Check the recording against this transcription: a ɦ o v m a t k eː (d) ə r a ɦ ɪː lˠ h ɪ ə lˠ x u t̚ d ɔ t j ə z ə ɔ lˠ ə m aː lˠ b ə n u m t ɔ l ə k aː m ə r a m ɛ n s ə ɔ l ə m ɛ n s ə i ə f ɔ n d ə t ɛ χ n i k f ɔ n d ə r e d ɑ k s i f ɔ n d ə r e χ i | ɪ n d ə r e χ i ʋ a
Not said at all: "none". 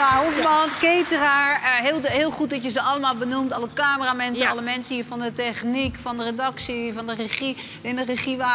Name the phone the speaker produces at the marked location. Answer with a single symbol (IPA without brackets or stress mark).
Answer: t